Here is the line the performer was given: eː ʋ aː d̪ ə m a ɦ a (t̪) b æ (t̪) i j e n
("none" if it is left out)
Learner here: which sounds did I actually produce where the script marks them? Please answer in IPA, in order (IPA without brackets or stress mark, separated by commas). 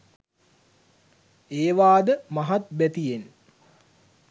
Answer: t̪, t̪